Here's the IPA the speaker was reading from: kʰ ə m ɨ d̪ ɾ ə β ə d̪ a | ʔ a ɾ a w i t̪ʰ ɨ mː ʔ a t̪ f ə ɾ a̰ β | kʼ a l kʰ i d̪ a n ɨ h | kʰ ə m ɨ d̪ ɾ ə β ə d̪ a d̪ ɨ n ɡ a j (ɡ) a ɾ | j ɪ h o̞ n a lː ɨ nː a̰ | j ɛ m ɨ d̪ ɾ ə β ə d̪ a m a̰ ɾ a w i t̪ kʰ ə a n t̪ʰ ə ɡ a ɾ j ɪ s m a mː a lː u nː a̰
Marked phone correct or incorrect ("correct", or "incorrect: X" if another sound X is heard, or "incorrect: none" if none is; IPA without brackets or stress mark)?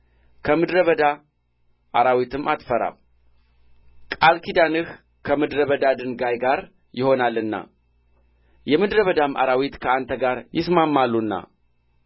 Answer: correct